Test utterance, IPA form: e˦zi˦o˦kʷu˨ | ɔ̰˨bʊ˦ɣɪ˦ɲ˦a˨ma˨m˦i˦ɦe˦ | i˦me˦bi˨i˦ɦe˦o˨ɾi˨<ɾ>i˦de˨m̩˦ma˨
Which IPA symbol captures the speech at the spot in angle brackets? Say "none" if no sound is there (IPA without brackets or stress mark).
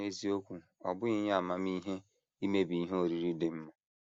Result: ɾ